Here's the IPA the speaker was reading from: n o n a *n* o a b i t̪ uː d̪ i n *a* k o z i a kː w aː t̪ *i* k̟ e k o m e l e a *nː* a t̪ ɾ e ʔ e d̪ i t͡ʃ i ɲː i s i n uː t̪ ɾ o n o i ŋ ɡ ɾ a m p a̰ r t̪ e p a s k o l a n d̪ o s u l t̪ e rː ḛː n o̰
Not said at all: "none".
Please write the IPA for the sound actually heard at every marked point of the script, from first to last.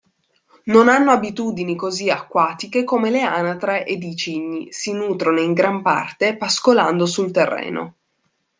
nː, i, i, n

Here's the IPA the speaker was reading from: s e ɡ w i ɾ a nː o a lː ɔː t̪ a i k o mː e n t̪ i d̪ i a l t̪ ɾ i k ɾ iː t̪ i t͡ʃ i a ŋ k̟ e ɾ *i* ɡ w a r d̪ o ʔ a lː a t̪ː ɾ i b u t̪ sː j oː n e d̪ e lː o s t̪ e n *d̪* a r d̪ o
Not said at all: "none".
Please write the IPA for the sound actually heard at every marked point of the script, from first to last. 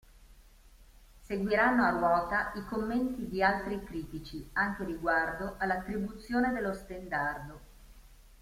i, d̪

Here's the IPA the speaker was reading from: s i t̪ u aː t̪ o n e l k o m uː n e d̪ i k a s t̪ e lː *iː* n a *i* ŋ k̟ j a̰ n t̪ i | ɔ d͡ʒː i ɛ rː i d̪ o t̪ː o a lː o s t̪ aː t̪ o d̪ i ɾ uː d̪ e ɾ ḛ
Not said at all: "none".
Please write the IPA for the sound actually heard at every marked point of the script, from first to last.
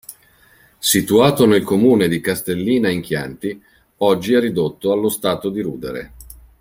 iː, i

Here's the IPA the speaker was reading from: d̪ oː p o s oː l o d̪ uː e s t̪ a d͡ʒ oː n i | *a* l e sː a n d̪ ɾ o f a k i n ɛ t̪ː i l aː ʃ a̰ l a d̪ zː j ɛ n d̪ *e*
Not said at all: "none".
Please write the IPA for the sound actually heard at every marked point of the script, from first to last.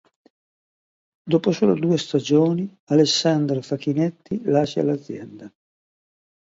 a, a

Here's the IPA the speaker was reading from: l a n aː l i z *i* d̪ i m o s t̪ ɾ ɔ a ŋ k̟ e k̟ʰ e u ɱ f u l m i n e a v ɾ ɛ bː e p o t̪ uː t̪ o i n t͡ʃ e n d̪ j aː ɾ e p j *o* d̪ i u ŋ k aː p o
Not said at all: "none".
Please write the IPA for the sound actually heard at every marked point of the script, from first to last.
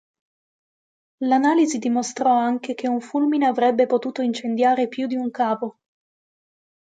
i, u

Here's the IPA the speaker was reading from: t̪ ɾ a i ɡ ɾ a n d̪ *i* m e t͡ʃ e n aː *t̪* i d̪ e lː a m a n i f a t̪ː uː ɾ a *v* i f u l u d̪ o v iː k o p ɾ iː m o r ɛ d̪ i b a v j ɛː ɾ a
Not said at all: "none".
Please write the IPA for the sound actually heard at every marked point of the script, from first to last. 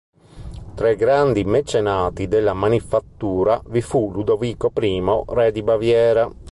i, t̪, v

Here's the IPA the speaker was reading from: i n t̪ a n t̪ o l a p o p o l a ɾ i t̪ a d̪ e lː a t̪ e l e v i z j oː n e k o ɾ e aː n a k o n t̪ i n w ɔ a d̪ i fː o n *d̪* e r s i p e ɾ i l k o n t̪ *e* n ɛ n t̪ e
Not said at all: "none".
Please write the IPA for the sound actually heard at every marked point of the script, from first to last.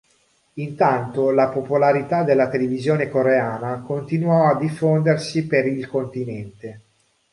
d̪, i

